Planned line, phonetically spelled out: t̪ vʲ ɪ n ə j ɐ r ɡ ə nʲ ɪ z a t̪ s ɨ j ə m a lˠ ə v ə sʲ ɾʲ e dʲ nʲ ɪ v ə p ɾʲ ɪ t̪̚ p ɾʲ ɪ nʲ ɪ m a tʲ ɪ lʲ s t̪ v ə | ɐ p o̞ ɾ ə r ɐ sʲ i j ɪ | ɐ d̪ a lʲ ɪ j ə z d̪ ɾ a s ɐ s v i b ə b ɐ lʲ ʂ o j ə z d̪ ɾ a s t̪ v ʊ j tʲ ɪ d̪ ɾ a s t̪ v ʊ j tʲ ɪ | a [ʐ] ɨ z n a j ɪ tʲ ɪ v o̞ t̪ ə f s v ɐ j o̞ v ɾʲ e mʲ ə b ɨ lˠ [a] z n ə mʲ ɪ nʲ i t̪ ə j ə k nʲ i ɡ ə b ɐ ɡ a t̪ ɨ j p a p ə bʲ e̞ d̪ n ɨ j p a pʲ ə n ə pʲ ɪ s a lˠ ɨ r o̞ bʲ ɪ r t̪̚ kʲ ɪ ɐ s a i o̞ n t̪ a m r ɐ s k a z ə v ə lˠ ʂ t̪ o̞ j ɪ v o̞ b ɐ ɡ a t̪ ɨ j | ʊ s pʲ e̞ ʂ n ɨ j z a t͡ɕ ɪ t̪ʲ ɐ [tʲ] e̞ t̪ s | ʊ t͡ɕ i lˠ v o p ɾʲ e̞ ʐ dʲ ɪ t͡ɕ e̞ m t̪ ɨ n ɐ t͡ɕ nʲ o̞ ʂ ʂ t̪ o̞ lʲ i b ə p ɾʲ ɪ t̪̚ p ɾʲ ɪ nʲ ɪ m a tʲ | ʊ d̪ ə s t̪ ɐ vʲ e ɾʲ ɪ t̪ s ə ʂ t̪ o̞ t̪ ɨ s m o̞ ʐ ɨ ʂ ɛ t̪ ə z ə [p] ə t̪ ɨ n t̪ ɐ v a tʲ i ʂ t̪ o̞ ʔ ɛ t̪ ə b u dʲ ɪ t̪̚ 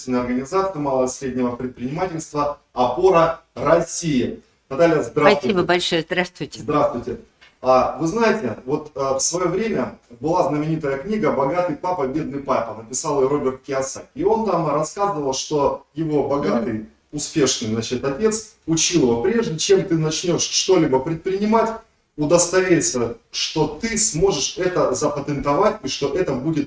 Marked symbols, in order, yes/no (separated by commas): no, yes, yes, yes